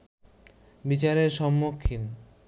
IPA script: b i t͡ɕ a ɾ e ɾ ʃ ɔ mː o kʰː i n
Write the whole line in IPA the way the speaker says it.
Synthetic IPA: b i t͡ɕ a ɾ e ɾ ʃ ɔ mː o kʰː i n